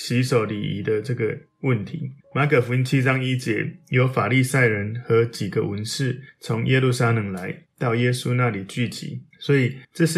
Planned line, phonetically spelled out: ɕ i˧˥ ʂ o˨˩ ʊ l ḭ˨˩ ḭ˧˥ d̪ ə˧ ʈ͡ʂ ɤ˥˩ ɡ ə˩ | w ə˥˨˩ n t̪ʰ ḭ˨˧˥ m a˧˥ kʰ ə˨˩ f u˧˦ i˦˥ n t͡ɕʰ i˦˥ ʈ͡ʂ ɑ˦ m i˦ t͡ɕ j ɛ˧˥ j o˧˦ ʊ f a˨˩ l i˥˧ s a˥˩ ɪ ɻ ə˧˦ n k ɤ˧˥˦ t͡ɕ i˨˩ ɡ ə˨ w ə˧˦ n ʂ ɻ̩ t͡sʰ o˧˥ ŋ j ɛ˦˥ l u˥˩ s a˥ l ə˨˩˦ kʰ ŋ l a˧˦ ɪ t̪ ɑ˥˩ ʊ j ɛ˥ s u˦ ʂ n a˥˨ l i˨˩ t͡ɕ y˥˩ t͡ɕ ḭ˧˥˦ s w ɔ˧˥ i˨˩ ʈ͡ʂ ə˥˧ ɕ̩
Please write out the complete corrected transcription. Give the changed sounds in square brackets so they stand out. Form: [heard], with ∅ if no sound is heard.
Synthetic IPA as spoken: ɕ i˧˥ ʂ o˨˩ ʊ l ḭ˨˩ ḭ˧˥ d̪ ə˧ ʈ͡ʂ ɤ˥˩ ɡ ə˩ | w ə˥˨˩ n t̪ʰ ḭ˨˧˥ m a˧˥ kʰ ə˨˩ f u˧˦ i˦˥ n t͡ɕʰ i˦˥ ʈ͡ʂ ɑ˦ [ŋ] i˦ t͡ɕ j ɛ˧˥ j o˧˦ ʊ f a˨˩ l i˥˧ s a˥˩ ɪ ɻ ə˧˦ n [x] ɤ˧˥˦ t͡ɕ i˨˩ ɡ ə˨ w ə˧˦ n ʂ ɻ̩ t͡sʰ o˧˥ ŋ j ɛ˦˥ l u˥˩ s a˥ l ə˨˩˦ [∅] ŋ l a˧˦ ɪ t̪ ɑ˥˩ ʊ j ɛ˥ s u˦ [∅] n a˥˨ l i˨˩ t͡ɕ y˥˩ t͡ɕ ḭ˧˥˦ s w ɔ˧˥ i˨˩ ʈ͡ʂ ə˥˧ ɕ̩